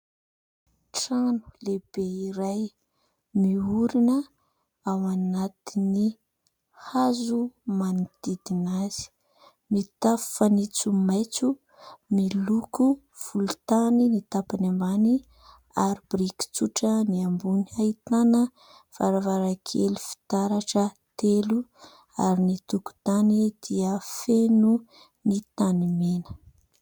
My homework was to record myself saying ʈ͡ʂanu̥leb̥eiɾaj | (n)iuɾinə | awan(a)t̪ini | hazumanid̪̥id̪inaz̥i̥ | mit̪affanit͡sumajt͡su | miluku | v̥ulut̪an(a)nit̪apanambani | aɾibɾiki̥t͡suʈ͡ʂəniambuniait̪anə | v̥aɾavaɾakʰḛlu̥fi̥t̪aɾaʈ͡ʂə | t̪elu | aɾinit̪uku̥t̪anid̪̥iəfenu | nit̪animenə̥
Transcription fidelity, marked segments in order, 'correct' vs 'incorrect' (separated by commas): incorrect, correct, incorrect